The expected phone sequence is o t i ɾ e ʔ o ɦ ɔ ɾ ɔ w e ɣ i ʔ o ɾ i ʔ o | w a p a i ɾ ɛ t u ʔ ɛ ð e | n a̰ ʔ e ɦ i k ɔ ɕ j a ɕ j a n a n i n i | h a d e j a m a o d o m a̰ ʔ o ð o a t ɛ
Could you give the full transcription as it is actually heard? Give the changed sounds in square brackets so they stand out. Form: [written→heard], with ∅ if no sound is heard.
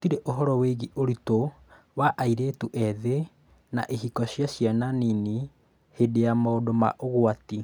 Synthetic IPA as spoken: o t i ɾ e ʔ o ɦ ɔ ɾ ɔ w e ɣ i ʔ o ɾ i [ʔ→t] o | w a [p→ʔ] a i ɾ [ɛ→e] t u ʔ ɛ ð e | n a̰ ʔ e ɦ i k ɔ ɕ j a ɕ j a n a n i n i | h [a→e] d e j a m a o d o m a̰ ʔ o [ð→ɣ] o a t [ɛ→i]

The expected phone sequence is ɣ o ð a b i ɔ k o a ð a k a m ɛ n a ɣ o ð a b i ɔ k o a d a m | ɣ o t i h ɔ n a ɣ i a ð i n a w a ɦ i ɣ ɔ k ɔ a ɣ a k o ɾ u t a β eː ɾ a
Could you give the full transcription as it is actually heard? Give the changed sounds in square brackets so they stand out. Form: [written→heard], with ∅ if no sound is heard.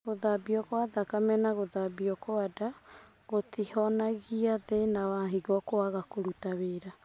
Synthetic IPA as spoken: ɣ o ð a b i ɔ k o a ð a k a m ɛ n a ɣ o ð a b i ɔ k o a d a [m→∅] | ɣ o t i h ɔ n a ɣ i a ð [i→e] n a w a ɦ i ɣ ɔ k [ɔ→o] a ɣ a k o ɾ u t a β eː ɾ a

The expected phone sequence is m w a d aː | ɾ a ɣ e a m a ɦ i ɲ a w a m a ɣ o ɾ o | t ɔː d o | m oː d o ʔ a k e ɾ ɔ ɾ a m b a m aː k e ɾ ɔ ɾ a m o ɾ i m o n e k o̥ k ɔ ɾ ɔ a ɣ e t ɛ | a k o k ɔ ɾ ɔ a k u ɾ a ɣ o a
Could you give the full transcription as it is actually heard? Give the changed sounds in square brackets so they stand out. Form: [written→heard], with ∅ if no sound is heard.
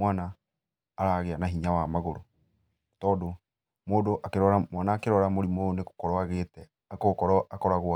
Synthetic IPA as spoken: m w a [d→n] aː | ɾ a ɣ e a [m→n] a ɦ i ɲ a w a m a ɣ o ɾ o | t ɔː d o | m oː d o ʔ a k e ɾ ɔ ɾ a m [b→w] a [m→n] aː k e ɾ ɔ ɾ a m o ɾ i m o n e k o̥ k ɔ ɾ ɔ a ɣ e t ɛ | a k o k ɔ ɾ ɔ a k [u→ɔ] ɾ a ɣ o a

